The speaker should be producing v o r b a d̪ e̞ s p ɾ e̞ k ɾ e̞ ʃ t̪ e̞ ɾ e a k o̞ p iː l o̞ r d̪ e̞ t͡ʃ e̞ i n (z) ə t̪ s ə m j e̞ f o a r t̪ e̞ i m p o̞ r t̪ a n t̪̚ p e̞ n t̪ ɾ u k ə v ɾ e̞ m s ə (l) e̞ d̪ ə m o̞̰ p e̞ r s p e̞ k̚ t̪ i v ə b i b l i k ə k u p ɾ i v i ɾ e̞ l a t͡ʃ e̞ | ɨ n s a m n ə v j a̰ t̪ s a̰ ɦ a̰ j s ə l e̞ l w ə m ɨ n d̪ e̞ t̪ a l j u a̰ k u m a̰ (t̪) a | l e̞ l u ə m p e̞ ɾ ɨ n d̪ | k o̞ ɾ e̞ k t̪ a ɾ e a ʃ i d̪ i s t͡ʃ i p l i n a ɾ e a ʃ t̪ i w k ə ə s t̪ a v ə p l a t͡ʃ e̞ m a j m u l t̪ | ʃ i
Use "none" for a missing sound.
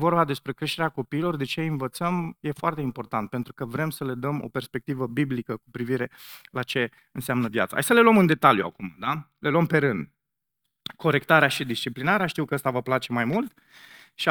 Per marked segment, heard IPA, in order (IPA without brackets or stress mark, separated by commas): v, l, d̪